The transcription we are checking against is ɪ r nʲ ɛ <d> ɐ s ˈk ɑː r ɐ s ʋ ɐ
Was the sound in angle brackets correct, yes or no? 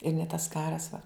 no